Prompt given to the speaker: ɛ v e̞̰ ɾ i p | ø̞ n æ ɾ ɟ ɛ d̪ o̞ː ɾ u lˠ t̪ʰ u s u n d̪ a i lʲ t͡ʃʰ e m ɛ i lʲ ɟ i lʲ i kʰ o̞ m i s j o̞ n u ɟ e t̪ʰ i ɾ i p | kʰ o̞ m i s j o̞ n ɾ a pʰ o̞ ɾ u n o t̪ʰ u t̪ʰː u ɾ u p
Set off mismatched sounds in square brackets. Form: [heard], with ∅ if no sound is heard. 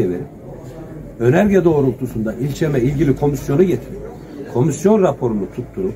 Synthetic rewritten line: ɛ v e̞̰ ɾ i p | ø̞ n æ ɾ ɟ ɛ d̪ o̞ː ɾ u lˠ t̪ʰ u s u n d̪ a i lʲ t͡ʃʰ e m ɛ i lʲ ɟ i lʲ i kʰ o̞ m i s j o̞ n u ɟ e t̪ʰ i ɾ i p | kʰ o̞ m i s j o̞ n ɾ a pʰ o̞ ɾ u n [u] t̪ʰ u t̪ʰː u ɾ u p

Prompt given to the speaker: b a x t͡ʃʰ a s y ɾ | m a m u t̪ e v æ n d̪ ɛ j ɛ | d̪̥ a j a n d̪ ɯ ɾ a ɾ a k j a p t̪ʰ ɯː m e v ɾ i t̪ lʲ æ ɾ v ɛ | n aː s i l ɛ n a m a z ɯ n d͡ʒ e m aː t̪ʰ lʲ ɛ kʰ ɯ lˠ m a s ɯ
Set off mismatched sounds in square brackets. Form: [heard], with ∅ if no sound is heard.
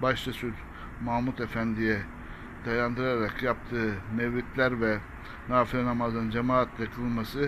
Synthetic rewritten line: b a [ʃ] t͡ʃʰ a s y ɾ | m a m u t̪ e [f] æ n d̪ [i] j ɛ | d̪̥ a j a n d̪ ɯ ɾ a ɾ a k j a p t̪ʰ ɯː m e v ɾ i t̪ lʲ æ ɾ v ɛ | n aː [f] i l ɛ n a m a z ɯ n d͡ʒ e m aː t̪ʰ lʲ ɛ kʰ ɯ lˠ m a s ɯ

